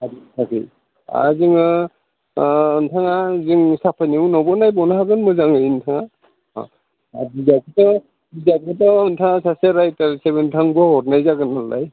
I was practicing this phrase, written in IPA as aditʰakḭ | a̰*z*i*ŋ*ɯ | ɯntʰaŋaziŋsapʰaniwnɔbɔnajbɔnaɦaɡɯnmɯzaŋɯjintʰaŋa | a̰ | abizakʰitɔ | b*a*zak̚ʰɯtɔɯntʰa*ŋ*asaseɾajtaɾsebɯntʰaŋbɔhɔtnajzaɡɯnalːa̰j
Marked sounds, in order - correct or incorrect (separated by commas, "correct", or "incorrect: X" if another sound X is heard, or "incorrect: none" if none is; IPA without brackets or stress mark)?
correct, correct, incorrect: i, correct